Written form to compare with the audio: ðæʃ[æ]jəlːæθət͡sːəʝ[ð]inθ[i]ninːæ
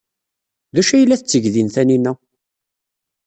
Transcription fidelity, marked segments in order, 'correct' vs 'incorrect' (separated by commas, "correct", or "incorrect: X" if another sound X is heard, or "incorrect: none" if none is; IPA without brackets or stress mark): correct, correct, incorrect: æ